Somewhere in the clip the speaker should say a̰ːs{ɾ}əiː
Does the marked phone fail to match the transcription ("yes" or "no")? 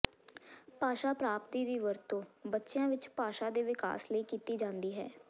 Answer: yes